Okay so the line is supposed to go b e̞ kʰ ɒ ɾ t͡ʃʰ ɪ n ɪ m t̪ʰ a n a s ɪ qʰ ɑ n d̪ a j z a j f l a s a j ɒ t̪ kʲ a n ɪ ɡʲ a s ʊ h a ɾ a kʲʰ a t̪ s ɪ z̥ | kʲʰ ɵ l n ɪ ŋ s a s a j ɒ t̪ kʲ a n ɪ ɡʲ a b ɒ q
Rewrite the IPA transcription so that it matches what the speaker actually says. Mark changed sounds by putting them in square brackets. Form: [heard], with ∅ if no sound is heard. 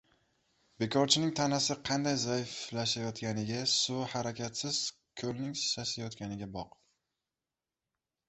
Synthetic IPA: b e̞ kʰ ɒ ɾ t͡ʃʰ ɪ n ɪ [ŋ] t̪ʰ a n a s ɪ qʰ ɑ n d̪ a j z a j f l a [ʃ] a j ɒ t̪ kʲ a n ɪ ɡʲ a s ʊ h a ɾ a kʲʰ a t̪ s ɪ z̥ | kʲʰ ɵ l n ɪ ŋ s a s a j ɒ t̪ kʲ a n ɪ ɡʲ a b ɒ q